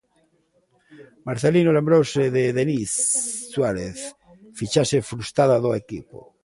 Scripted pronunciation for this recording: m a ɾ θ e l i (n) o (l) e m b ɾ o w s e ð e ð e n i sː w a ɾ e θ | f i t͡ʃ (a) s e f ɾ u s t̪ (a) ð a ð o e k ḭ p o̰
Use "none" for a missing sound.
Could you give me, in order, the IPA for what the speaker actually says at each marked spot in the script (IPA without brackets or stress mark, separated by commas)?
n, l, a, a